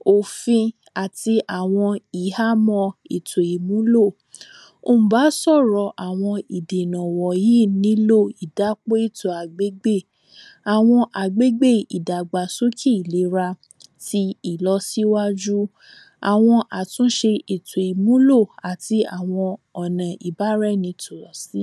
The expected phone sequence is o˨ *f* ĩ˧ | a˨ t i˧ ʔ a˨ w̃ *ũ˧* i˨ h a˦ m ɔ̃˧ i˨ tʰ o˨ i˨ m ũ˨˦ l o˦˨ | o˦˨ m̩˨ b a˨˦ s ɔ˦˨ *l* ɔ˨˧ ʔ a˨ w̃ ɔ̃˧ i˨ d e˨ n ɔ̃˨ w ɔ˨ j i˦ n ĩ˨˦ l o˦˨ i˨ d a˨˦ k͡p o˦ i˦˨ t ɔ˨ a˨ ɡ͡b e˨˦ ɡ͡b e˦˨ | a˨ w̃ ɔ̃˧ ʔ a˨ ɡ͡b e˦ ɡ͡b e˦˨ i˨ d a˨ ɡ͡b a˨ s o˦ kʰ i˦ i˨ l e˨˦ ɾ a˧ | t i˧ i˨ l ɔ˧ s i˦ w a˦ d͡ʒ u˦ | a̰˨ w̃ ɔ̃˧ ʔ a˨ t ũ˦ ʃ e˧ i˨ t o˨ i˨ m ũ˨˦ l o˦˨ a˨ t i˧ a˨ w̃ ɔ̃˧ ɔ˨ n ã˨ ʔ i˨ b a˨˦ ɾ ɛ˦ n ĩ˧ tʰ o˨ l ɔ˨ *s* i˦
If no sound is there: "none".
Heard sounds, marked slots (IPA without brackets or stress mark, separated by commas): f, ɔ̃˧, ɾ, s